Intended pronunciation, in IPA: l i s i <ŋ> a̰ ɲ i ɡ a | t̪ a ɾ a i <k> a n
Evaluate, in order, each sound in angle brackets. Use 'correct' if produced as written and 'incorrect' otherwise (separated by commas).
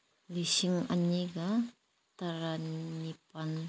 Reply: correct, incorrect